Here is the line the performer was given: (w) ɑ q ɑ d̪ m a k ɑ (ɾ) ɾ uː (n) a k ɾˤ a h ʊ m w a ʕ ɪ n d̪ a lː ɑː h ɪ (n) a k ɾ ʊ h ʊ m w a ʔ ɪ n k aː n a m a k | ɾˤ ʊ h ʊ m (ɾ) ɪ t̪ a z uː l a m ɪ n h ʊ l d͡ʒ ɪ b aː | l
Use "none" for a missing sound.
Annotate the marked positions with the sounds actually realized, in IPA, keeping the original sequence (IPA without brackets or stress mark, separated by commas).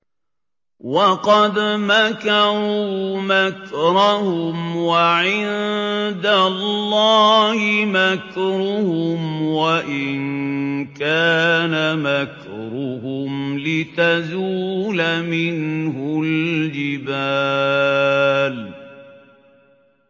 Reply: w, ɾ, m, m, l